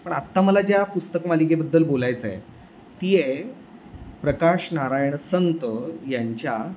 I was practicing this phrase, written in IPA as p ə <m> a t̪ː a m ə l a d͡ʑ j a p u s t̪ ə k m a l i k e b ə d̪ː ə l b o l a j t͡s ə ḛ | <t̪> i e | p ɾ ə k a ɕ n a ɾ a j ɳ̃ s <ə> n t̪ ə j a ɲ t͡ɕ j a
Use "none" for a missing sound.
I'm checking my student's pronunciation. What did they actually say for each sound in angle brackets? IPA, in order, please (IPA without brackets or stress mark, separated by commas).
ɳ, t̪, ə